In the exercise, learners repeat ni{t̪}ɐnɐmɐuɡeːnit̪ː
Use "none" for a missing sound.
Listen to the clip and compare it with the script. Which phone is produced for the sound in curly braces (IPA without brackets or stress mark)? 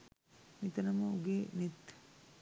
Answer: t̪